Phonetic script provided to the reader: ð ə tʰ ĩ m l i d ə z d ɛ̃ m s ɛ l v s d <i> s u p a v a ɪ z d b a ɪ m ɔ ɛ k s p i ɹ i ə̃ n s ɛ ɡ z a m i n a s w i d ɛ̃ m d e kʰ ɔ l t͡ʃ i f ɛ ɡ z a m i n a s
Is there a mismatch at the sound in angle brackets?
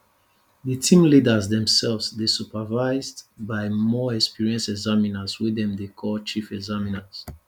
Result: yes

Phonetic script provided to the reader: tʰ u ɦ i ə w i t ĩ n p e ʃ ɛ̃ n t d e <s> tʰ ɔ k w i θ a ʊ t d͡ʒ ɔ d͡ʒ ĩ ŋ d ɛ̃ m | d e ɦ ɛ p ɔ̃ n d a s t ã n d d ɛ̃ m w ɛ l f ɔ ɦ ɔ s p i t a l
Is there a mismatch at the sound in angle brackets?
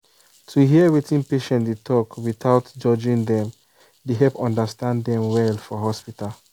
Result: yes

